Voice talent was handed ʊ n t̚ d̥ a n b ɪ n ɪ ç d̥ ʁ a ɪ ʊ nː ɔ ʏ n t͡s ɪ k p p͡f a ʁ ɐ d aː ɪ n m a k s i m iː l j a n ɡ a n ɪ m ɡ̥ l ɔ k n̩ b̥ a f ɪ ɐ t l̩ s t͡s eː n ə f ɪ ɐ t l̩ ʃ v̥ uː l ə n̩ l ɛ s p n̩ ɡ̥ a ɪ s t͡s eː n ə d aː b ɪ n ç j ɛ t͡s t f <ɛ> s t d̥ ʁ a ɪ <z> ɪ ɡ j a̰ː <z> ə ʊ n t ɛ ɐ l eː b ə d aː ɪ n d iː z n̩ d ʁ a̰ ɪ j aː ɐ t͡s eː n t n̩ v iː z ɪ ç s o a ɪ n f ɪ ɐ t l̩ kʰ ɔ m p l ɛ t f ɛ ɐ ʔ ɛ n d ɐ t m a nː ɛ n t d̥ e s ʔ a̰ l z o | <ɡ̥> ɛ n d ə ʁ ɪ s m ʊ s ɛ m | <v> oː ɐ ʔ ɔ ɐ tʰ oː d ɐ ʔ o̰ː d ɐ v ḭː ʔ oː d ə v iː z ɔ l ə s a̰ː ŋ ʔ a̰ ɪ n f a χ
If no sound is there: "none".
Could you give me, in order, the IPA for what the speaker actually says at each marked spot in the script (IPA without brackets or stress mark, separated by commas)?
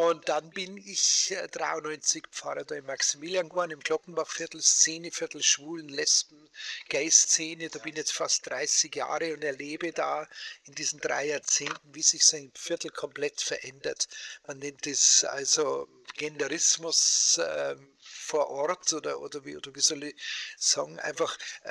a, s, ʁ, ɡ̥, f